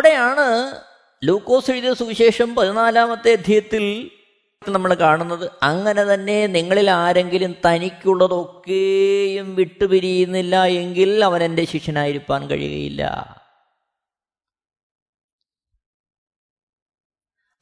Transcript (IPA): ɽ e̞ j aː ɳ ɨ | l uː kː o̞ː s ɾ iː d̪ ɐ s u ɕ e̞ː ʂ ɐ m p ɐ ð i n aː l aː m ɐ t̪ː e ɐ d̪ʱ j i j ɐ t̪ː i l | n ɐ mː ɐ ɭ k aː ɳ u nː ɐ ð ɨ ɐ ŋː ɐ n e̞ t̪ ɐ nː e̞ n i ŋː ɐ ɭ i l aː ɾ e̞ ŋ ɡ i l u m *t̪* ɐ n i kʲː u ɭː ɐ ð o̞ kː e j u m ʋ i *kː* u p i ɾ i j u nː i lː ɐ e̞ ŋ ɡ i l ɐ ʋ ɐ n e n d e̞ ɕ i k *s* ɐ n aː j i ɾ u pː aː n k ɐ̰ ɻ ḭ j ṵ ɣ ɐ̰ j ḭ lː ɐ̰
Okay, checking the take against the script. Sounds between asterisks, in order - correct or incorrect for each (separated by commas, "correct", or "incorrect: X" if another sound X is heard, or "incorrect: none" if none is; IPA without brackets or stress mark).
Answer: correct, incorrect: ʈː, incorrect: ʂ